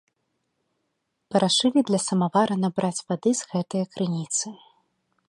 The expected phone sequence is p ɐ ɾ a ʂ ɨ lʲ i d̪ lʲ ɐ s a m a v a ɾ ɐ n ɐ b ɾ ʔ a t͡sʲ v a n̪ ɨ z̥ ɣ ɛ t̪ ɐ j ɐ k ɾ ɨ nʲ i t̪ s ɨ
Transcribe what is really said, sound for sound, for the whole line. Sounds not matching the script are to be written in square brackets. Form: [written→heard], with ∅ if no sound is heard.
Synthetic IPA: p ɐ ɾ a ʂ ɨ lʲ i d̪ lʲ ɐ s [a→ɐ] m a v a ɾ ɐ n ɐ b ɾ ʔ a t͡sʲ v a [n̪→d̪] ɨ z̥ ɣ ɛ t̪ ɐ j ɐ k ɾ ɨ nʲ i t̪ s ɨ